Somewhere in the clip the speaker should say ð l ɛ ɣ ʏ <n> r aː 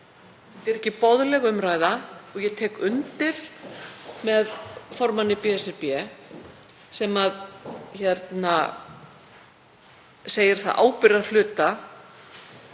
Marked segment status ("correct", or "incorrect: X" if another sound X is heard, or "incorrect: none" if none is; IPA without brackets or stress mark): incorrect: m